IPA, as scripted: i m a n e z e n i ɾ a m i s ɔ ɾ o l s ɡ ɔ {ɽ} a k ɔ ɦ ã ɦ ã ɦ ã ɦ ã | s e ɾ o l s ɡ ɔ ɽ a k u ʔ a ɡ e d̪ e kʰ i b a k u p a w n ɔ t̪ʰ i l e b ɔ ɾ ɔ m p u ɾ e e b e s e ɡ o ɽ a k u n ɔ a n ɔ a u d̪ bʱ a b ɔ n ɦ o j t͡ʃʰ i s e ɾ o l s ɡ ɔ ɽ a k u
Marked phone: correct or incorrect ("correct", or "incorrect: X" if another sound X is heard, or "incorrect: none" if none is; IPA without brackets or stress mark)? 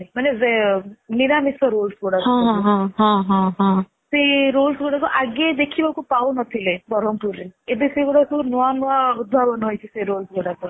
correct